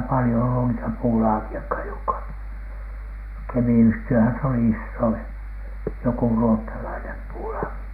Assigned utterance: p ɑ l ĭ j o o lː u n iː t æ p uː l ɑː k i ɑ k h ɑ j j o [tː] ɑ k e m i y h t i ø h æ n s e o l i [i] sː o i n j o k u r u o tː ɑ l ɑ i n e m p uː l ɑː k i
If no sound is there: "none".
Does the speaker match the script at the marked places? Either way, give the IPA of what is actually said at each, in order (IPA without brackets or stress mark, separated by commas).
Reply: kː, i